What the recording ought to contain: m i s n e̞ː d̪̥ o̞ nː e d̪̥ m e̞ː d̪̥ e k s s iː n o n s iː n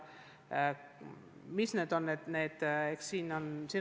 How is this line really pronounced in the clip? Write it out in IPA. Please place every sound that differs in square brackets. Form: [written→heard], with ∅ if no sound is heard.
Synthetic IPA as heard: m i s n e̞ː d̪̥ o̞ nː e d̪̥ [m→n] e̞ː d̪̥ e k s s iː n o n s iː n